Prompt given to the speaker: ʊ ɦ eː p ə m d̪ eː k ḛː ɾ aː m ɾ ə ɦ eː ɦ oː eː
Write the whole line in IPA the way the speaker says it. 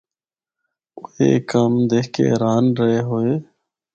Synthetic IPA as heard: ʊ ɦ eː k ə m d̪ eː k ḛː ɾ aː n ɾ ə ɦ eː ɦ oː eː